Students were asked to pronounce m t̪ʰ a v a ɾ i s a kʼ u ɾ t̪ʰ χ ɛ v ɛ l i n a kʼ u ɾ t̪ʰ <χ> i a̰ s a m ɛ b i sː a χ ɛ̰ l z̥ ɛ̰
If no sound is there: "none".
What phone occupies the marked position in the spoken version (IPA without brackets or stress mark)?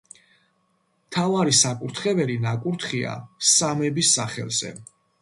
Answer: χ